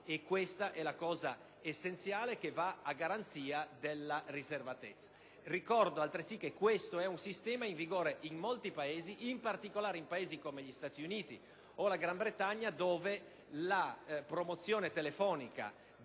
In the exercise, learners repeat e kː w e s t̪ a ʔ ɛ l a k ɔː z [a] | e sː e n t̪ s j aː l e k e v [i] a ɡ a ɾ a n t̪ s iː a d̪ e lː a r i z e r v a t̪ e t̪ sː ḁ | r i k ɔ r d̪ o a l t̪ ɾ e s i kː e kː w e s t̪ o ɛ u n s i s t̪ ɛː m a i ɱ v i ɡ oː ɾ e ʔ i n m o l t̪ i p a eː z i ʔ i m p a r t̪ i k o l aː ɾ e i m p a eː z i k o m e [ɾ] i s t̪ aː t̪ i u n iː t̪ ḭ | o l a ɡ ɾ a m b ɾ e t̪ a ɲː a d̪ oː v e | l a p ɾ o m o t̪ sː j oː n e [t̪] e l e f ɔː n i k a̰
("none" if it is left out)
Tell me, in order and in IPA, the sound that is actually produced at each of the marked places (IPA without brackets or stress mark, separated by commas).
a, a, ʎ, t̪